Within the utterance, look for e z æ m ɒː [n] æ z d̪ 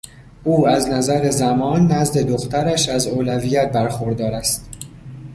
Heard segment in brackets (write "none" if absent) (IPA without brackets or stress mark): nː